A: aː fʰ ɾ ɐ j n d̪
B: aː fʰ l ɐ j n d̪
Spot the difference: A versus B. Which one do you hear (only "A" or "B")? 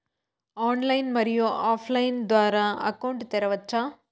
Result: B